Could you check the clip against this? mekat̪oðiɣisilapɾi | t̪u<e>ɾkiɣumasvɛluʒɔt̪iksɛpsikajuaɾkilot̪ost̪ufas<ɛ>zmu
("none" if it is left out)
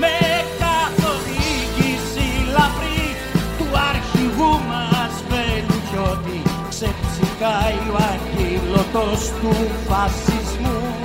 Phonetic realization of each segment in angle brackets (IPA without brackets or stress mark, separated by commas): a, i